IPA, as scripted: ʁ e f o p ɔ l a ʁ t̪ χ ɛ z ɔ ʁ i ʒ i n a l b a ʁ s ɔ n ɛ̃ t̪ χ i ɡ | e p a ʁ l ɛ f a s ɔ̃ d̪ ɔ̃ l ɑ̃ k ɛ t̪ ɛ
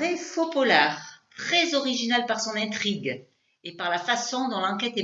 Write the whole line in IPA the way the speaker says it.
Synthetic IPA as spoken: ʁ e f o p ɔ l a ʁ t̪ χ ɛ z ɔ ʁ i ʒ i n a l p a ʁ s ɔ̃ n ɛ̃ t̪ χ i ɡ | e p a ʁ l a f a s ɔ̃ d̪ ɔ̃ l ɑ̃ k ɛ t̪ ɛ

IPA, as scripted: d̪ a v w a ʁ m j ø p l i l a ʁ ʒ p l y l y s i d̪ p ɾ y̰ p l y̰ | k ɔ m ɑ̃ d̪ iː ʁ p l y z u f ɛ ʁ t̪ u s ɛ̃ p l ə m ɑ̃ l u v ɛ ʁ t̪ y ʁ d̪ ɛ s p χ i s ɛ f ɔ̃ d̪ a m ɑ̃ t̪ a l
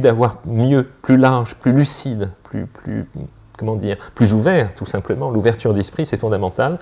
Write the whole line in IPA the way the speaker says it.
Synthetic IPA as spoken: d̪ a v w a ʁ m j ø p l y l a ʁ ʒ p l y l y s i d̪ p l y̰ p l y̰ | k ɔ m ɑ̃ d̪ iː ʁ p l y z u v ɛ ʁ t̪ u s ɛ̃ p l ə m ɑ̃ l u v ɛ ʁ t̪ y ʁ d̪ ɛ s p χ i s ɛ f ɔ̃ d̪ a m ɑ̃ t̪ a l

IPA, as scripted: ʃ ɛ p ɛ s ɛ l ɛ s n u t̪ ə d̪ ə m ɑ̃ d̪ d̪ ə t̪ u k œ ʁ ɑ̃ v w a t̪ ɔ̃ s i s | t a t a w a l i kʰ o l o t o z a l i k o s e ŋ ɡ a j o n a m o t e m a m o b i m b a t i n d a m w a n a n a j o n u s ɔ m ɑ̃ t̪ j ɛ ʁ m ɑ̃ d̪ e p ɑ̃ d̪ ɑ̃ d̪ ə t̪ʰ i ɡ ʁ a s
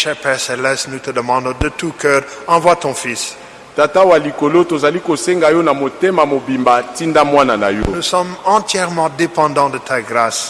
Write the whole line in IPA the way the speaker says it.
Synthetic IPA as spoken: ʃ ɛ p ɛ s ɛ l ɛ s n u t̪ ə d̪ ə m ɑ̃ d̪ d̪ ə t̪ u k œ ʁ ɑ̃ v w a t̪ ɔ̃ f i s | t a t a w a l i k o l o t o z a l i k o s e ŋ ɡ a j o n a m o t e m a m o b i m b a t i n d a m w a n a n a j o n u s ɔ m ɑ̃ t̪ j ɛ ʁ m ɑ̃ d̪ e p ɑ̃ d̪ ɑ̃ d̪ ə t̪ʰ a ɡ ʁ a s

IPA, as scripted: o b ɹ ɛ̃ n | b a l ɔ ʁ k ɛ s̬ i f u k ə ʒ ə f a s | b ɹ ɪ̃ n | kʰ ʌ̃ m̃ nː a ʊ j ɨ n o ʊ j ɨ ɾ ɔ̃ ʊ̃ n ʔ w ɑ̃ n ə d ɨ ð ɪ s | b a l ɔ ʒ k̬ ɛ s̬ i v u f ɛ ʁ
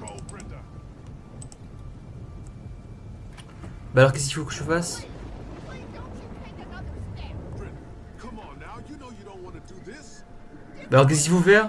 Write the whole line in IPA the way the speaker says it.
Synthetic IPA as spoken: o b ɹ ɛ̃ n | b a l ɔ ʁ k ɛ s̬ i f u k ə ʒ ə f a s | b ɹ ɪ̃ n | kʰ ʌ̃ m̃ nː a ʊ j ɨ n o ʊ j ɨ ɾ õ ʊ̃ n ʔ w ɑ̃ n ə d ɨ ð ɪ s | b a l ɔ ʁ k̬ ɛ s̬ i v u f ɛ ʁ

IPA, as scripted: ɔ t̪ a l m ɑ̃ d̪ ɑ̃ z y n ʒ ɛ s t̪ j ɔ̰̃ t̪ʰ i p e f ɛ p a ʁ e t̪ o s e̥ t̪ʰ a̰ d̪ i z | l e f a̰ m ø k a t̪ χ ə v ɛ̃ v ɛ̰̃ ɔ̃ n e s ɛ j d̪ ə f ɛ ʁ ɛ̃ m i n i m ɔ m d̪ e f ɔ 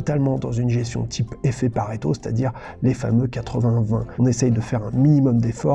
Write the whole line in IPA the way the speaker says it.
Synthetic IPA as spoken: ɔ t̪ a l m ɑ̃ d̪ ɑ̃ z y n ʒ ɛ s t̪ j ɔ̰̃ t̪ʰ i p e f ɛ p a ʁ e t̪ o s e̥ t̪ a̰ d̪ i ʁ | l e f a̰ m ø k a t̪ χ ə v ɛ̃ v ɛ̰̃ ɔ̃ n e s ɛ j d̪ ə f ɛ ʁ ɛ̃ m i n i m ɔ m d̪ e f ɔ

